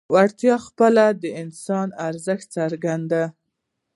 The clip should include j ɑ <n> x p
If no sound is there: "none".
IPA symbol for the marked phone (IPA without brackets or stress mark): none